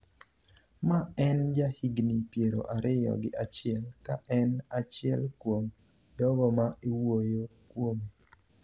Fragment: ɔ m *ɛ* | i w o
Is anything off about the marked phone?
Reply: yes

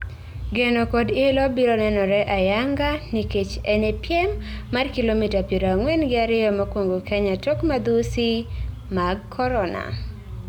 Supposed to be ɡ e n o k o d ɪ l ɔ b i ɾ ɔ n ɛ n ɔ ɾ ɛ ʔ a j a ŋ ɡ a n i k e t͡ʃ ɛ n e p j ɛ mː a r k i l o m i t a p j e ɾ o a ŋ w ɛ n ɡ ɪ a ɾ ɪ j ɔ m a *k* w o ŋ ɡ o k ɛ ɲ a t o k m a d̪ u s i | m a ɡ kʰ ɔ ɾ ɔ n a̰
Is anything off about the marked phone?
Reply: no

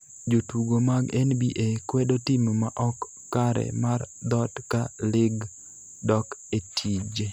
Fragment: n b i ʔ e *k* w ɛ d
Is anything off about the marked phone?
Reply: no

